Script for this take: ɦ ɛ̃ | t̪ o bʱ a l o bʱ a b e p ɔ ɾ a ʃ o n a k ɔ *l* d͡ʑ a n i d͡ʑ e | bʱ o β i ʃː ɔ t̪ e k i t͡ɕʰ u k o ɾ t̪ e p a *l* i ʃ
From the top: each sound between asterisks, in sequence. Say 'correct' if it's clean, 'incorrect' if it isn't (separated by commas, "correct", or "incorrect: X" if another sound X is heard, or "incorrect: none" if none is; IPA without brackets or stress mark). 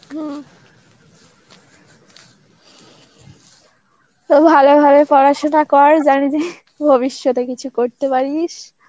incorrect: ɾ, incorrect: ɾ